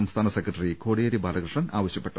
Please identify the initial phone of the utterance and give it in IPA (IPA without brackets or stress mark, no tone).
ɐ